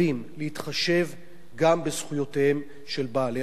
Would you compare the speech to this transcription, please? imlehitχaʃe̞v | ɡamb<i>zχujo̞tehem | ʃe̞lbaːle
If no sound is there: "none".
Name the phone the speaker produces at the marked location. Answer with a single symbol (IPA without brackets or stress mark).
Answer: e